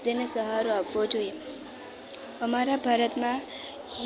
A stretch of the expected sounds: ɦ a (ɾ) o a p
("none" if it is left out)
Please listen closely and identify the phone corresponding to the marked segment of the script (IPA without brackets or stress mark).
ɾ